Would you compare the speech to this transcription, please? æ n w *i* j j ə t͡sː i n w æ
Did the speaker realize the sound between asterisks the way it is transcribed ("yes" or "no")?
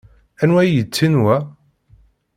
no